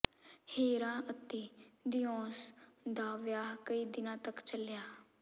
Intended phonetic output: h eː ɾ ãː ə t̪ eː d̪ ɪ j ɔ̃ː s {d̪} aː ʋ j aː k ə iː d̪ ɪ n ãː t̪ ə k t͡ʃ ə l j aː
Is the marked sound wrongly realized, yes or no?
no